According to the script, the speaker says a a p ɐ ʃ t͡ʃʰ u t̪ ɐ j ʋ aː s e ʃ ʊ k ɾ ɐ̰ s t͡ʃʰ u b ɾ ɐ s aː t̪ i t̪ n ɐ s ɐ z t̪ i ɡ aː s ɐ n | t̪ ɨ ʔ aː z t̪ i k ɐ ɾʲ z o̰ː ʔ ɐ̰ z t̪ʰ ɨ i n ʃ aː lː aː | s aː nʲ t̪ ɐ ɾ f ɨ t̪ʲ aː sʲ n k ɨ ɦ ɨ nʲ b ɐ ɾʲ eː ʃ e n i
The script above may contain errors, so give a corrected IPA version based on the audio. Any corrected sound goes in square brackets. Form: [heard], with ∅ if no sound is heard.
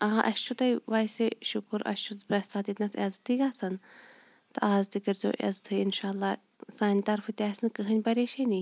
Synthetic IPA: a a [ʔ] ɐ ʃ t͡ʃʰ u t̪ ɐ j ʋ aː s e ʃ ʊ k ɾ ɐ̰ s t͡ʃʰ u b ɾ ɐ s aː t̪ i t̪ n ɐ s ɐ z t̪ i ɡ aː s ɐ n | t̪ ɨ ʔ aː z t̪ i k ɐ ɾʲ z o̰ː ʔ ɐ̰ z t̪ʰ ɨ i n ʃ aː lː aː | s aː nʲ t̪ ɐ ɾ f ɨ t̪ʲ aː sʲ n k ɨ ɦ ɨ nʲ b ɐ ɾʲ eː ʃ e n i